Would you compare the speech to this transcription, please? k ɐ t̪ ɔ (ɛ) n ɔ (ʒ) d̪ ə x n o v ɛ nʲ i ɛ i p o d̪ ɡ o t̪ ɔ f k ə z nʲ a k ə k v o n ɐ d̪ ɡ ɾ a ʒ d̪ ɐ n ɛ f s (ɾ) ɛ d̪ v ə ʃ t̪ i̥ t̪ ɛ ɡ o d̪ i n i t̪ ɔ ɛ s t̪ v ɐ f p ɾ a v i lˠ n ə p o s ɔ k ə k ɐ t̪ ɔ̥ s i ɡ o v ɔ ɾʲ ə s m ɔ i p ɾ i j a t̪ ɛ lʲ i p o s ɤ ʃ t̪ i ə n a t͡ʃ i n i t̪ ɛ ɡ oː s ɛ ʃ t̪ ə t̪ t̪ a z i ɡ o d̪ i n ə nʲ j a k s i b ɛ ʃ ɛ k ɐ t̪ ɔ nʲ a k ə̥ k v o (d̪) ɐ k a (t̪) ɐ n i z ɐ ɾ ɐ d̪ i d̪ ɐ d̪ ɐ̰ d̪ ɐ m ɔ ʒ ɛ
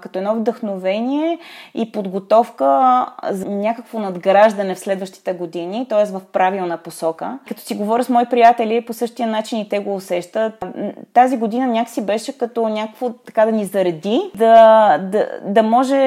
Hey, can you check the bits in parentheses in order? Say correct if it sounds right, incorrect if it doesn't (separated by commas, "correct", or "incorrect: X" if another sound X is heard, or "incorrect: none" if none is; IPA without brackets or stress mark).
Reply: correct, incorrect: v, incorrect: l, incorrect: t̪, incorrect: d̪